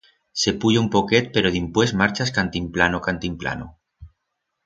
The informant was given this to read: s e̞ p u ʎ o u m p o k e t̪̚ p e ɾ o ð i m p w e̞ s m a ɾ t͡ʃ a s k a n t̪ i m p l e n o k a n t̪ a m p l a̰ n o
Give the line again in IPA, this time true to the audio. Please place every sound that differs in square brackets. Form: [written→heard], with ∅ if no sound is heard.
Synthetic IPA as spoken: s e̞ p u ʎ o u m p o k e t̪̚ p e ɾ o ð i m p w e̞ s m a ɾ t͡ʃ a s k a n t̪ i m p l [e→a] n o k a n t̪ [a→i] m p l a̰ n o